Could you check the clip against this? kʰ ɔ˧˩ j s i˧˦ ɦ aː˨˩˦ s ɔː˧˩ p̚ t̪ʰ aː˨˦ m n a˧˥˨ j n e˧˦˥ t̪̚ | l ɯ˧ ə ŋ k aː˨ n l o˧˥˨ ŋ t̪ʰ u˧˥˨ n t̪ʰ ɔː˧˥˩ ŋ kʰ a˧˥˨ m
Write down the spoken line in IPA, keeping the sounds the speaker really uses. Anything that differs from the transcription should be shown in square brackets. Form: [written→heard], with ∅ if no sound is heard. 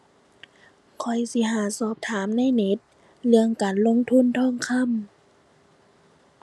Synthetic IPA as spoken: kʰ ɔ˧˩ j s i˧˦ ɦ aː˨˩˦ s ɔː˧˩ p̚ t̪ʰ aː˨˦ m n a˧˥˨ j n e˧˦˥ t̪̚ | l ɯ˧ ə ŋ k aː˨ n l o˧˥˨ ŋ t̪ʰ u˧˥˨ n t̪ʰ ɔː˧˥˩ ŋ kʰ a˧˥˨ m